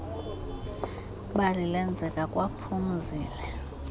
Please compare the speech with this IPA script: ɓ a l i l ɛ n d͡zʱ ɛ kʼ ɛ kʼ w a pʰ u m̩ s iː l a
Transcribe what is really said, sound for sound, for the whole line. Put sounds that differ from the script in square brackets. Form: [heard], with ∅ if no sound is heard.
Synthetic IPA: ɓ a l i l ɛ n d͡zʱ ɛ kʼ [a] kʼ w a pʰ u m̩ [z] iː l [ɛ]